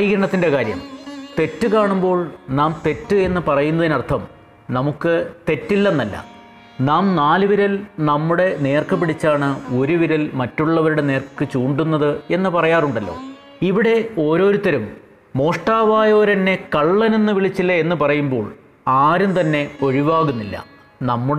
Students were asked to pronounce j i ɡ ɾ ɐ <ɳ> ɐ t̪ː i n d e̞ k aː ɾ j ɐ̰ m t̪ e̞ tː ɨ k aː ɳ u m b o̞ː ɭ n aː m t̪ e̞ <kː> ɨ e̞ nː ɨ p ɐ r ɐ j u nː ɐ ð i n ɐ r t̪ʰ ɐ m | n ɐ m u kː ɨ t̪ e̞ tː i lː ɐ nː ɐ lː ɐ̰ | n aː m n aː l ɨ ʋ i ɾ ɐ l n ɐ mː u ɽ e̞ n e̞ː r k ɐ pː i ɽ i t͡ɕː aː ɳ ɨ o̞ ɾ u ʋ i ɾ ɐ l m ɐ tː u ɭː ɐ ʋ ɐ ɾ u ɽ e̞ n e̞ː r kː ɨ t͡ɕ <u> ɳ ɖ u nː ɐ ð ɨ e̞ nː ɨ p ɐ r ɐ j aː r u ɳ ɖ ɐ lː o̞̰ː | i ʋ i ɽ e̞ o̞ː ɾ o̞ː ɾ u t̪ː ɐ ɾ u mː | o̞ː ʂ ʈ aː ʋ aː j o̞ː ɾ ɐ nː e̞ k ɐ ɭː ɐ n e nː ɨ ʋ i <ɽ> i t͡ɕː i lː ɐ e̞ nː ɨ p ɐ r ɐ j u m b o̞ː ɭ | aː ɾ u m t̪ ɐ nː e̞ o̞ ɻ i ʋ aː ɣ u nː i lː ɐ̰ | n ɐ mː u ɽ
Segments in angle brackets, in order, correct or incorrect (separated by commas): correct, incorrect, incorrect, incorrect